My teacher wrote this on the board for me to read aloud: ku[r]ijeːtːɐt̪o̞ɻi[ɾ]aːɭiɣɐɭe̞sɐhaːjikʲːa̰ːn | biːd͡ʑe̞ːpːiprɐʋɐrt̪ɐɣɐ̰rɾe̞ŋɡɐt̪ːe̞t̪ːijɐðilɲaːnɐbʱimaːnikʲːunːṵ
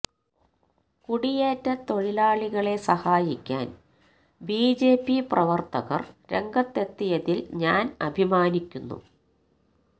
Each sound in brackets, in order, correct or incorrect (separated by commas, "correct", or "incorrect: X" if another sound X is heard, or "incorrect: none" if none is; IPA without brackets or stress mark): incorrect: ɽ, incorrect: l